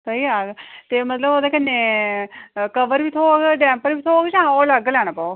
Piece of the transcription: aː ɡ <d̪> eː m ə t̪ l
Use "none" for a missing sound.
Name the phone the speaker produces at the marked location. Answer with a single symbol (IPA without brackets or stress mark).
t̪